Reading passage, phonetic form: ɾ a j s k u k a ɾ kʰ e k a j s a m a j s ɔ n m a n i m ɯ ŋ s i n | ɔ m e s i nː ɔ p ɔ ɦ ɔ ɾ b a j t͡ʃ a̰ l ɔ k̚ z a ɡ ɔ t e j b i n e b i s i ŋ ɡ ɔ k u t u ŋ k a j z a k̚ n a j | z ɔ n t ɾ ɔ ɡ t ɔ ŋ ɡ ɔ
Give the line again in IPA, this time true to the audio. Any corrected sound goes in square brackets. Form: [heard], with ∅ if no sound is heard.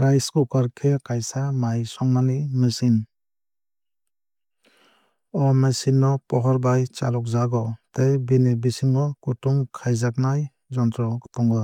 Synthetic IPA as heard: ɾ a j s k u k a ɾ kʰ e k a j s a m a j s ɔ [ŋ] m a n i m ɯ [∅] s i n | ɔ m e s i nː ɔ p ɔ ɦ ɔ ɾ b a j t͡ʃ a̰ l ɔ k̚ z a ɡ ɔ t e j b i n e b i s i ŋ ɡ ɔ k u t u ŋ [kʰ] a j z a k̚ n a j | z ɔ n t ɾ ɔ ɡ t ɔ ŋ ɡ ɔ

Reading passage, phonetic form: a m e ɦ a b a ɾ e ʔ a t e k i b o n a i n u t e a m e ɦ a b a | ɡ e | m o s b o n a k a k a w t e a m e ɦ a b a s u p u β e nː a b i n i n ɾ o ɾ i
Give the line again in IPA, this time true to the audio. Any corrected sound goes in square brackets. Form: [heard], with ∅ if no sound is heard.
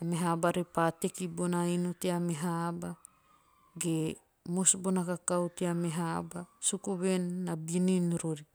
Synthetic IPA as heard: a m e ɦ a b a ɾ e [p] a t e k i b o n a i n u t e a m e ɦ a b a | ɡ e | m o s b o n a k a k a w t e a m e ɦ a b a s u [k] u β e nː a b i n i n ɾ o ɾ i

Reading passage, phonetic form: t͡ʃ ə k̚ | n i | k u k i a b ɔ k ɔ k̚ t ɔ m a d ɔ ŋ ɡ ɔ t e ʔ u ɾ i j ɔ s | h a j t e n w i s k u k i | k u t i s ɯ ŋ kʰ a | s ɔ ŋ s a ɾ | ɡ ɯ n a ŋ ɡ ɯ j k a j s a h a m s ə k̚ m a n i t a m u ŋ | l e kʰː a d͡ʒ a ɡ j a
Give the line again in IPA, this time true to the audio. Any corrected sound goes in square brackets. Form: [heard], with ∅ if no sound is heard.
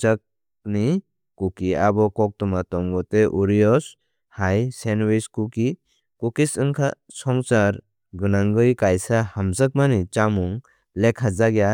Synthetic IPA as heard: t͡ʃ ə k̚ | n i | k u k i a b ɔ k ɔ k̚ t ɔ m a [t] ɔ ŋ ɡ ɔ t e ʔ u ɾ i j ɔ s | h a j [s] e n w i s k u k i | k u [k] i s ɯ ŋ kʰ a | s ɔ ŋ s a ɾ | ɡ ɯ n a ŋ ɡ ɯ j k a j s a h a m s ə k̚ m a n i [t͡ʃ] a m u ŋ | l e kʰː a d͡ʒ a ɡ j a

